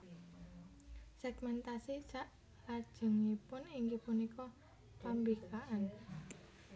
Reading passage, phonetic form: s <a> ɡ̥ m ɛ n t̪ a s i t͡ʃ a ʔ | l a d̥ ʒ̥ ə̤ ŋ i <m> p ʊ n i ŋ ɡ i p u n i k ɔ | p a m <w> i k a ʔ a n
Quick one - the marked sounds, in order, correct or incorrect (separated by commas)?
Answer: incorrect, incorrect, incorrect